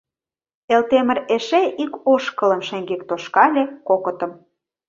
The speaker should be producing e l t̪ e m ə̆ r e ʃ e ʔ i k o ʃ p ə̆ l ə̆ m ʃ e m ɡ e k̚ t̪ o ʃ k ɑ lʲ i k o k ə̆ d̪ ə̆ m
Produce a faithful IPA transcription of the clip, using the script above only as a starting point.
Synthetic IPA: e l t̪ e m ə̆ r e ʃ e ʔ i k o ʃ k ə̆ l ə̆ m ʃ e ŋ ɡ e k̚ t̪ o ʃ k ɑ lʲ e k o k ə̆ t̪ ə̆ m